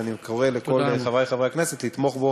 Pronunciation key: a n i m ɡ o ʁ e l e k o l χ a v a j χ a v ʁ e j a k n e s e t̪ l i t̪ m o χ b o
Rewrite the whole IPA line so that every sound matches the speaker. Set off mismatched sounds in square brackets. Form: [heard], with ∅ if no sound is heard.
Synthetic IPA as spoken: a n i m [k] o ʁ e l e k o l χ a v a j χ a v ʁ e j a k n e s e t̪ l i t̪ m o χ b o